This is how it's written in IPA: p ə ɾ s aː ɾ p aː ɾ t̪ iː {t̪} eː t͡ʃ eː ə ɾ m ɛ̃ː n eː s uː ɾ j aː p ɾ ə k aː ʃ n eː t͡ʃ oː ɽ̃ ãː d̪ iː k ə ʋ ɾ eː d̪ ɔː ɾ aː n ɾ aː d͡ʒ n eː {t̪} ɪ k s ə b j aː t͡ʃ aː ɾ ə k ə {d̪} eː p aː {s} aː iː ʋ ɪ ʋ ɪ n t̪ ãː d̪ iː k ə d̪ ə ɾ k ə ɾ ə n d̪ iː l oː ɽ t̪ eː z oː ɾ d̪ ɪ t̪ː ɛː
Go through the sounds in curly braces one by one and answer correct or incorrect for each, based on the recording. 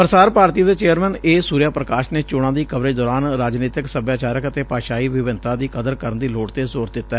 incorrect: d̪, correct, incorrect: t̪, incorrect: ʃ

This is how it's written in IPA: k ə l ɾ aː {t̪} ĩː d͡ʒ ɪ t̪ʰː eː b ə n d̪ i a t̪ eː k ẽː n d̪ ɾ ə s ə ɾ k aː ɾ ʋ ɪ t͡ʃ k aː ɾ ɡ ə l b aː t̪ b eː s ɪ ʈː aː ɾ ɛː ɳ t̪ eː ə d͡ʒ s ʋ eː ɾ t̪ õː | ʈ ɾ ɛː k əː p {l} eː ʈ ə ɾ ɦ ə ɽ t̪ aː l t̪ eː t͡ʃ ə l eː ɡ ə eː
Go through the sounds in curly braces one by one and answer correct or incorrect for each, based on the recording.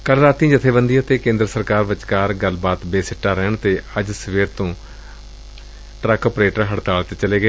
correct, incorrect: ɾ

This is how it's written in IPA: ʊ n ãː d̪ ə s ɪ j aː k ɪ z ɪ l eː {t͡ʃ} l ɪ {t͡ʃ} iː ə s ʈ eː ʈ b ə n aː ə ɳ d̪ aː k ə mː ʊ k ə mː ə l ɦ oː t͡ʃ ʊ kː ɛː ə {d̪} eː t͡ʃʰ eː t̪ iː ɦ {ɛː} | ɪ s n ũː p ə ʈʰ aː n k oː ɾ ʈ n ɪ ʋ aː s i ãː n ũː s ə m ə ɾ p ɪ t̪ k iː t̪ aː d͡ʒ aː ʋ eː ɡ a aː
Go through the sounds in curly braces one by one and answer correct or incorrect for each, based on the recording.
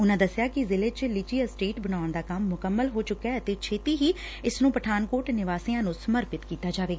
correct, correct, incorrect: t̪, incorrect: iː

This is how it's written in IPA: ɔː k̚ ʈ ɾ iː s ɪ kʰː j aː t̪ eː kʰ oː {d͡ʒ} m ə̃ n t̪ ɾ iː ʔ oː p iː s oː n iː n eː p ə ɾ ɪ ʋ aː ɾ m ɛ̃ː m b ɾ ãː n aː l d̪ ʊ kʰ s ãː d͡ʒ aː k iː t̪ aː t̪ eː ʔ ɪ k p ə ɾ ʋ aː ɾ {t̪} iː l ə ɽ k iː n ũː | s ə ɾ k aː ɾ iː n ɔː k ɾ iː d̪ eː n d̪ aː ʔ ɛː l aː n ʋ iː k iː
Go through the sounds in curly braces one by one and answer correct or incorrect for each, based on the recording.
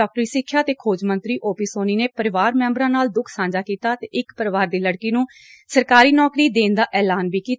correct, incorrect: d̪

